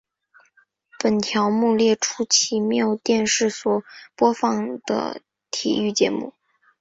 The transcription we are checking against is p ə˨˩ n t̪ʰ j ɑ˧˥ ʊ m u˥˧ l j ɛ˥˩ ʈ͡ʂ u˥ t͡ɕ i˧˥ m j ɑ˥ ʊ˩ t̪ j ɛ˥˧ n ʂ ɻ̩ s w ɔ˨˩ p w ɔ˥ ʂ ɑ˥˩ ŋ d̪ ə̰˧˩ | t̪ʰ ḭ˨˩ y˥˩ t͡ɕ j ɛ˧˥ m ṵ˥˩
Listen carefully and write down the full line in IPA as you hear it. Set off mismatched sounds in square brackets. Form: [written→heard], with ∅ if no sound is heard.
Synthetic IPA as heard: p ə˨˩ n t̪ʰ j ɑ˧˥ ʊ m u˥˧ l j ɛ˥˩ [ʈ͡ʂ→ʈ͡ʂʰ] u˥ [t͡ɕ→t͡ɕʰ] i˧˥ m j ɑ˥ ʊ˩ t̪ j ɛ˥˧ n ʂ ɻ̩ s w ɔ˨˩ p w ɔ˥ [ʂ→f] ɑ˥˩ ŋ d̪ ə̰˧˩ | t̪ʰ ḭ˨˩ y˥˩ t͡ɕ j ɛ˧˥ m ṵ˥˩